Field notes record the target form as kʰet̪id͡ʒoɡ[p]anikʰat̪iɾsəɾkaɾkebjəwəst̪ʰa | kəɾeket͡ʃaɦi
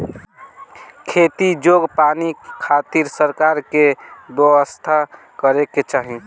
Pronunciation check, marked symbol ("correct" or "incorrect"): correct